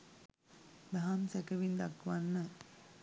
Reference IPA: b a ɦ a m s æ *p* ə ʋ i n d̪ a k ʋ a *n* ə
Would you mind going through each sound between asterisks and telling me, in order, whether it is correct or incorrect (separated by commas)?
incorrect, incorrect